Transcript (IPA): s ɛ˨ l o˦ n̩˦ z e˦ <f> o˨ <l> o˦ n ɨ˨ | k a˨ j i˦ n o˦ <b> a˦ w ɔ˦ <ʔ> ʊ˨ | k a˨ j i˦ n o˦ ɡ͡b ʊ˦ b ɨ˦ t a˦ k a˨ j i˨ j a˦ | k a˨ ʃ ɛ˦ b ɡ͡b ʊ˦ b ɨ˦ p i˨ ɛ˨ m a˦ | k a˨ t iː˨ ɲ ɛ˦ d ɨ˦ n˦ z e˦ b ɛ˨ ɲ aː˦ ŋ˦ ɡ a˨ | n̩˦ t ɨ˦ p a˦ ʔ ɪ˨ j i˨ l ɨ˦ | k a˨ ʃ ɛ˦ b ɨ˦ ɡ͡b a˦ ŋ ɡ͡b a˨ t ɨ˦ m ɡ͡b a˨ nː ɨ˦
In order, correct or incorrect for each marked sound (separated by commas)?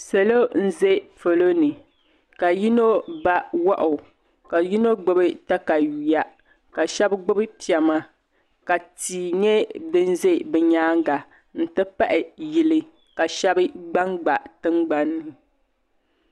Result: correct, correct, correct, correct